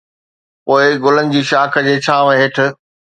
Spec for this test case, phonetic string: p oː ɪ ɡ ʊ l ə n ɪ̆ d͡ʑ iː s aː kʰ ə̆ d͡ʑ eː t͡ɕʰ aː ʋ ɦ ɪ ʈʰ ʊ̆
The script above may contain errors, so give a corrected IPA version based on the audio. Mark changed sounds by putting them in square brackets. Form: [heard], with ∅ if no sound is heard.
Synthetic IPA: p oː ɪ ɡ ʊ l ə n ɪ̆ d͡ʑ iː [ʃ] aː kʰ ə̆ d͡ʑ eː t͡ɕʰ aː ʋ ɦ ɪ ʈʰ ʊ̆